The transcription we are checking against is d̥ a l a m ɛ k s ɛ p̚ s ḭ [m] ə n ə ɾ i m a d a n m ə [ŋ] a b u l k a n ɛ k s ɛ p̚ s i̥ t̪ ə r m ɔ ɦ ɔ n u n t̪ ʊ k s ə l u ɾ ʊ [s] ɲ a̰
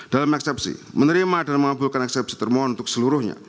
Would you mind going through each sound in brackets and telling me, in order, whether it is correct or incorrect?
correct, correct, incorrect: h

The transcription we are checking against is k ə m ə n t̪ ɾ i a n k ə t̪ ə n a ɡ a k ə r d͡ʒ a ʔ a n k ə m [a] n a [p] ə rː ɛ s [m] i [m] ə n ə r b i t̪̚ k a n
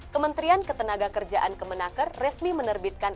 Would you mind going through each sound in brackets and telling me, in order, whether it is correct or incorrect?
incorrect: ə, incorrect: k, correct, correct

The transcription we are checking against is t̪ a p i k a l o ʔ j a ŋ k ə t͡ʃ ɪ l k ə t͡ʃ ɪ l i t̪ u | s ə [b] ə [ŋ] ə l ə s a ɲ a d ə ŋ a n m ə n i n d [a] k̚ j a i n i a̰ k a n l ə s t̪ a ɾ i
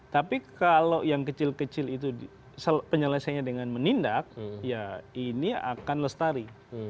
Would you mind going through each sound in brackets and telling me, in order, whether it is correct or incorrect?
incorrect: p, incorrect: ɲ, correct

